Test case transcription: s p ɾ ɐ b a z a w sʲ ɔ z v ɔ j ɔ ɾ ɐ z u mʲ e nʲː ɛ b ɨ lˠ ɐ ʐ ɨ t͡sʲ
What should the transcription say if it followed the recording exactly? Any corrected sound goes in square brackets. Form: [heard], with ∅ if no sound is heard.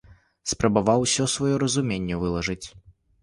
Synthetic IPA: s p ɾ ɐ b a [v] a w sʲ ɔ [s] v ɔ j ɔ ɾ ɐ z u mʲ e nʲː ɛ [v] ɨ lˠ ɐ ʐ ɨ t͡sʲ